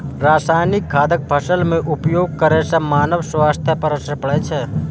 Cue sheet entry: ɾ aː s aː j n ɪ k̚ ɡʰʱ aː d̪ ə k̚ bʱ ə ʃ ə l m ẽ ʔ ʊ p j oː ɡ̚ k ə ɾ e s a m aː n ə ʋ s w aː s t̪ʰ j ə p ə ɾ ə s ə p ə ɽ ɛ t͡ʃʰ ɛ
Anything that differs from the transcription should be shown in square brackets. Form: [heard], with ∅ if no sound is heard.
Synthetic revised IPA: ɾ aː s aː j n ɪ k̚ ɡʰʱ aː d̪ ə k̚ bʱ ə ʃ ə l m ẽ ʔ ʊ p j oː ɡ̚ k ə ɾ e s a m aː n ə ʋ s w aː s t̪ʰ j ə p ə ɾ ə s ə p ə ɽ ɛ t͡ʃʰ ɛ